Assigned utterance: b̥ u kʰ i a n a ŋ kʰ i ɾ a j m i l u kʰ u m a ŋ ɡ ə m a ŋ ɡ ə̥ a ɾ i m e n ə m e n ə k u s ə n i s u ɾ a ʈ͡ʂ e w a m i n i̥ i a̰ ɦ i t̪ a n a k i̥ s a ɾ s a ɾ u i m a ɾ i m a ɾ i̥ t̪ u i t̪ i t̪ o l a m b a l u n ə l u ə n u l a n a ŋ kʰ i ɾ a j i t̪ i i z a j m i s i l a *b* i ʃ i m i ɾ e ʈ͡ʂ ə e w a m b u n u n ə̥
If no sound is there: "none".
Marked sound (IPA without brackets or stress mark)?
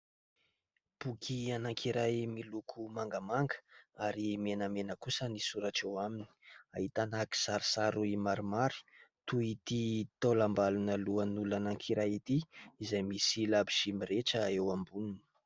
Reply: b